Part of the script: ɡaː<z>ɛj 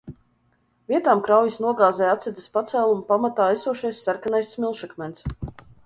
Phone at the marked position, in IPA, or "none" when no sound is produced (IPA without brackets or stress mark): z